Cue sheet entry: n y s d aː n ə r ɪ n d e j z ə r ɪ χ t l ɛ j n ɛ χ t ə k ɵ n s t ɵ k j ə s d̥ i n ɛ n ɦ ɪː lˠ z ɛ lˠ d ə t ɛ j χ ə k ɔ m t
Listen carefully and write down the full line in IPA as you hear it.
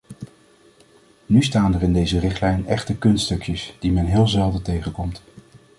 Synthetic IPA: n y s t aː n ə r ɪ n d e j z ə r ɪ χ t l ɛ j n ɛ χ t ə k ɵ n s t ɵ k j ə s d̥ i m ɛ n ɦ ɪː lˠ z ɛ lˠ d ə t e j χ ə k ɔ m t